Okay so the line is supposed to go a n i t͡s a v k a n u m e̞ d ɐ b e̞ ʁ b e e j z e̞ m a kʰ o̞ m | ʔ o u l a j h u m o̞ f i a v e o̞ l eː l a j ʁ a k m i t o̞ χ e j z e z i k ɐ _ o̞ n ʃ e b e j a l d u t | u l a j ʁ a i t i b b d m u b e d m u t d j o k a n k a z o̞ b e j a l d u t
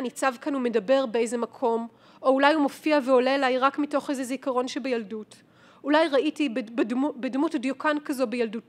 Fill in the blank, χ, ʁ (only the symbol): ʁ